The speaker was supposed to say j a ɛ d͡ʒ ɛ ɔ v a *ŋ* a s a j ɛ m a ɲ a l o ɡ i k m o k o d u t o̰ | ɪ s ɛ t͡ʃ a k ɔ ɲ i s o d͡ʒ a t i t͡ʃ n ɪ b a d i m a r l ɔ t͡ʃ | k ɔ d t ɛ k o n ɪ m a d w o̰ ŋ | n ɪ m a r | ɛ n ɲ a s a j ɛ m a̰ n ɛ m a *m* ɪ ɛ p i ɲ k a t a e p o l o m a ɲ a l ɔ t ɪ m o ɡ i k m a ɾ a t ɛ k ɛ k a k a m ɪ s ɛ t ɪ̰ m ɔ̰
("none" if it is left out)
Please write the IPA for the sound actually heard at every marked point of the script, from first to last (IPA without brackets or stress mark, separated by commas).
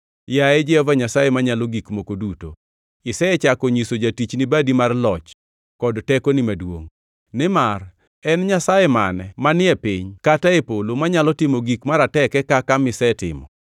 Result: ɲ, n